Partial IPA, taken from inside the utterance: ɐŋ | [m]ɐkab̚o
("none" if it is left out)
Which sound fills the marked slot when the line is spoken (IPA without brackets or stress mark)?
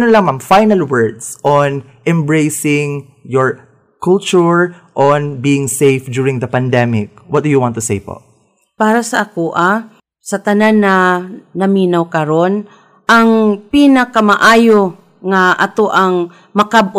m